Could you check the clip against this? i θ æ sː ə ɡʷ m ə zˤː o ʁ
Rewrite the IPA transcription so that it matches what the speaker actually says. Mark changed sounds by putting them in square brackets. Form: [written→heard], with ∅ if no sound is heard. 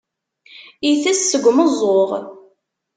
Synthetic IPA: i θ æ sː ə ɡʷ m ə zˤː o ʁ